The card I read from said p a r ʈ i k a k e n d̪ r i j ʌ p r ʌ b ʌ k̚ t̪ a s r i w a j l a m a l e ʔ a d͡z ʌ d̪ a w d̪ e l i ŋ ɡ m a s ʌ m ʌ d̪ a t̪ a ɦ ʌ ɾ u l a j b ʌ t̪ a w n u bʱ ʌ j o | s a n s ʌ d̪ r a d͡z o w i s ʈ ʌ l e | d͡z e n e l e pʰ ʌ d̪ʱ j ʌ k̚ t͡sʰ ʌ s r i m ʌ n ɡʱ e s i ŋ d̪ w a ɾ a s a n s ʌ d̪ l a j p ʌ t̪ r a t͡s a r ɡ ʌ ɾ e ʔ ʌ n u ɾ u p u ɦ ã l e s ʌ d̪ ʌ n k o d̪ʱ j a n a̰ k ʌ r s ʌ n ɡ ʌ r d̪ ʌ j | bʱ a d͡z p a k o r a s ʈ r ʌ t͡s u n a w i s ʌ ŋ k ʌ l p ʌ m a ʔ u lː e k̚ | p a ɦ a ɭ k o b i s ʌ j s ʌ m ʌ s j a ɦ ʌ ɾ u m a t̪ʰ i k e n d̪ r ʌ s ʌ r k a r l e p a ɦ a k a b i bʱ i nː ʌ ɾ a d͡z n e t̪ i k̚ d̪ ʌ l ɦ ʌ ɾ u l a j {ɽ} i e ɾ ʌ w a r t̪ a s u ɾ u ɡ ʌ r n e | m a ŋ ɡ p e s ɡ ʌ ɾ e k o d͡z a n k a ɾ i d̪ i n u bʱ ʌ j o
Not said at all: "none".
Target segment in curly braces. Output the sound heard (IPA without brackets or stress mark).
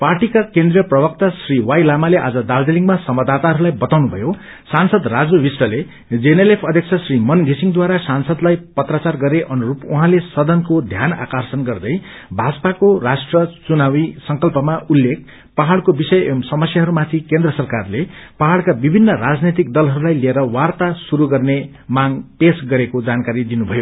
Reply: l